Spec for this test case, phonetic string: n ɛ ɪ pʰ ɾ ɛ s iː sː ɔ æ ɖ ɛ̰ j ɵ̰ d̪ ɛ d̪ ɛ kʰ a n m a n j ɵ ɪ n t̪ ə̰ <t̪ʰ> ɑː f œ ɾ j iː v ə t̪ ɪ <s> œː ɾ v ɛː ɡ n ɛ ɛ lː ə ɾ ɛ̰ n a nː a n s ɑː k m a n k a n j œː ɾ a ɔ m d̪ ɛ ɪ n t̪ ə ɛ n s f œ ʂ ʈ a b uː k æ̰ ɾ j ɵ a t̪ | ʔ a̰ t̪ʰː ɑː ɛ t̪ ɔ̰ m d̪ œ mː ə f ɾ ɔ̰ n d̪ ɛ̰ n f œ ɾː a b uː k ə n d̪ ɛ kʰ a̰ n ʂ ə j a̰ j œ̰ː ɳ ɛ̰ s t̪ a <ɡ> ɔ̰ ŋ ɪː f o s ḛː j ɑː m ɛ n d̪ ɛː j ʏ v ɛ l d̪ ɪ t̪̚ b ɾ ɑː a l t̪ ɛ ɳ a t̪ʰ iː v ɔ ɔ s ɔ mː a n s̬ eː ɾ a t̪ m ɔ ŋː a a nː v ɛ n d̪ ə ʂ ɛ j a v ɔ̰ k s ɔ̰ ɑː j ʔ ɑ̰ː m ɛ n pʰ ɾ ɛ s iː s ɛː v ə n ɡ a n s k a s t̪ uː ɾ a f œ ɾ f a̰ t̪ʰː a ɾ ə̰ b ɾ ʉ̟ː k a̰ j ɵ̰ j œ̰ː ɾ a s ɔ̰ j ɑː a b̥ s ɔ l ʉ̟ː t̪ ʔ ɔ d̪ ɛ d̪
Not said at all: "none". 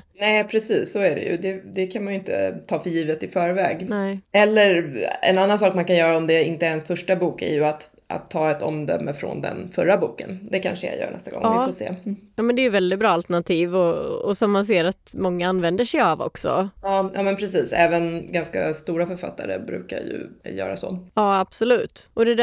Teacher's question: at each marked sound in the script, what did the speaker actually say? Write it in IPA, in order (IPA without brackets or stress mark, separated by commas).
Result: t̪ʰ, f, ɡ